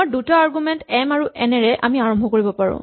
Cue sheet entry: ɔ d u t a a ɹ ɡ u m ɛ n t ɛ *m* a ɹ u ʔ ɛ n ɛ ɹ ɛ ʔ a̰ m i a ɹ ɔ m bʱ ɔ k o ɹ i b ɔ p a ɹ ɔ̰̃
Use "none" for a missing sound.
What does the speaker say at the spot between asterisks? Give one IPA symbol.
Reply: m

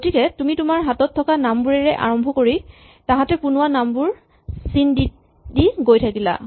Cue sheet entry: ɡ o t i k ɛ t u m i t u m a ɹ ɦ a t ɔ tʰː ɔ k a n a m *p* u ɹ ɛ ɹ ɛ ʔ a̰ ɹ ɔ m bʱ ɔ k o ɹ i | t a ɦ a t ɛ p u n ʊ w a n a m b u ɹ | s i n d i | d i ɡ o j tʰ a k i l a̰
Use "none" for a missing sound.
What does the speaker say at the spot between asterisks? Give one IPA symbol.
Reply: b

